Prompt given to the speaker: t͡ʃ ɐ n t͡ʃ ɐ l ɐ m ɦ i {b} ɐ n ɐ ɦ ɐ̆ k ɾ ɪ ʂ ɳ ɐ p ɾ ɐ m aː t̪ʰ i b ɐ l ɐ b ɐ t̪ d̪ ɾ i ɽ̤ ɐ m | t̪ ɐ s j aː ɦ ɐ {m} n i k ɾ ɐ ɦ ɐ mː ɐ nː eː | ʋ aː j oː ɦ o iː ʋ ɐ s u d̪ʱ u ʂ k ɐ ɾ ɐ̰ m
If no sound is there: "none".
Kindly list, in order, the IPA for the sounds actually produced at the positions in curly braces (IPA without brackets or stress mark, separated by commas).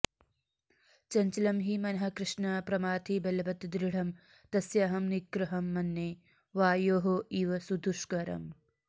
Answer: m, m